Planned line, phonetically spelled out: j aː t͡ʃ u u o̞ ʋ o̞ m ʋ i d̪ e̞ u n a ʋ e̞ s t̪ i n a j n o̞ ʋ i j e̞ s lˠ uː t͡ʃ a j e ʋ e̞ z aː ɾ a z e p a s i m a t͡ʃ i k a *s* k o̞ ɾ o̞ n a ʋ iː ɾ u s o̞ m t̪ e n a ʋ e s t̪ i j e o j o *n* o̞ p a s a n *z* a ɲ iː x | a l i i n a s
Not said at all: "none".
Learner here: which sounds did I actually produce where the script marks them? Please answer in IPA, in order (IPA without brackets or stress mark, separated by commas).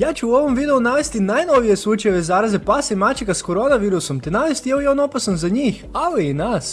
s, n, z